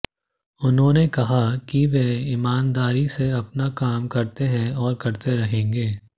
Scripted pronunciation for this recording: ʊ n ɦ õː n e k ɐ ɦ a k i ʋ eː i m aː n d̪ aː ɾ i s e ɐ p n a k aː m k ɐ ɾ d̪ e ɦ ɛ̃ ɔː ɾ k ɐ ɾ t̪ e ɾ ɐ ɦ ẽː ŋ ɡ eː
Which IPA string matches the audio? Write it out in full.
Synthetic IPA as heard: ʊ n ɦ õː n e k ɐ ɦ a k i ʋ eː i m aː n d̪ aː ɾ i s e ɐ p n a k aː m k ɐ ɾ t̪ e ɦ ɛ̃ ɔː ɾ k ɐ ɾ t̪ e ɾ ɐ ɦ ẽː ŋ ɡ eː